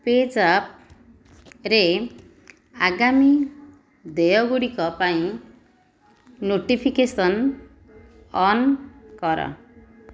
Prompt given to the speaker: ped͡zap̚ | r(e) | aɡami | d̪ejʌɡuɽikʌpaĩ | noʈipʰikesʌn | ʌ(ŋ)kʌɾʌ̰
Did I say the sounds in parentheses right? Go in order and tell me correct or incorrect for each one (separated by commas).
correct, incorrect